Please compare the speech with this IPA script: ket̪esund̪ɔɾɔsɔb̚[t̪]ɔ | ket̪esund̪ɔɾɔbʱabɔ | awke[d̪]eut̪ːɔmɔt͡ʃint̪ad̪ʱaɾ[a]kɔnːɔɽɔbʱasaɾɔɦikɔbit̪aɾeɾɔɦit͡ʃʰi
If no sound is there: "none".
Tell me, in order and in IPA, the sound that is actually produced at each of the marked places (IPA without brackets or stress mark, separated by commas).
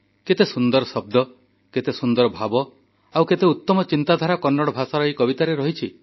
d̪, t̪, a